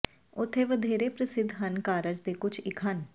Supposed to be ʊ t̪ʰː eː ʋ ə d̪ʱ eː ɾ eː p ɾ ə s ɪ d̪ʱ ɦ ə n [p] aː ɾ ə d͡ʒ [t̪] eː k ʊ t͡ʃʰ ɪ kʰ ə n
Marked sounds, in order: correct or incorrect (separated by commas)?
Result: incorrect, incorrect